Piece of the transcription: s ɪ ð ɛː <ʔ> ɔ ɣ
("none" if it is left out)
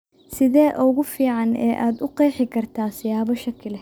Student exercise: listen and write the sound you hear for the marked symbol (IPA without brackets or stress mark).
ʔ